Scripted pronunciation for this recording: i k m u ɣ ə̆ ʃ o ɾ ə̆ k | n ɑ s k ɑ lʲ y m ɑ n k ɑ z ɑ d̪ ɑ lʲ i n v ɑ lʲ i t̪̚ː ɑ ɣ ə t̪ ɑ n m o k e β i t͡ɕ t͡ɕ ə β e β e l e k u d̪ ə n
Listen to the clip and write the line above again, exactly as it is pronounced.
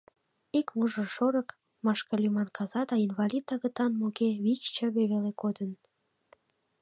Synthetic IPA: i k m u ʒ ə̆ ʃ o ɾ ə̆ k | m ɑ ʃ k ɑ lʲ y m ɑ n k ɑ z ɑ d̪ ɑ i n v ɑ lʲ i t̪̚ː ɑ ɣ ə t̪ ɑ n m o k e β i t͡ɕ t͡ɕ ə β e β e l e k o d̪ ə n